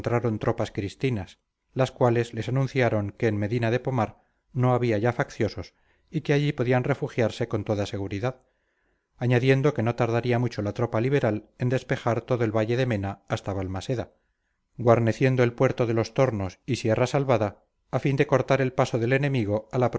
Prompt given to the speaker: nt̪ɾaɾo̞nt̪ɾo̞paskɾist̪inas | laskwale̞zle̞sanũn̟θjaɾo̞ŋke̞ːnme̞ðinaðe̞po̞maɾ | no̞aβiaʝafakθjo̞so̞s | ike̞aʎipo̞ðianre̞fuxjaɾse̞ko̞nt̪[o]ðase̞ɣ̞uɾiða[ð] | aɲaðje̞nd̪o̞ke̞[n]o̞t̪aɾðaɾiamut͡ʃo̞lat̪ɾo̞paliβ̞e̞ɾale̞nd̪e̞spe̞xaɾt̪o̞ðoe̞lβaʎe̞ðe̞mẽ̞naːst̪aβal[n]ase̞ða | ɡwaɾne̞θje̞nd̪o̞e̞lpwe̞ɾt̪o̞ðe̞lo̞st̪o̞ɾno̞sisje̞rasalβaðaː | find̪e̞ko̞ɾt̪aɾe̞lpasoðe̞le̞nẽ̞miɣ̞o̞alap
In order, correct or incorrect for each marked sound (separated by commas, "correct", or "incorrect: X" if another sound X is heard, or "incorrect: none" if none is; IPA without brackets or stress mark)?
correct, correct, correct, incorrect: m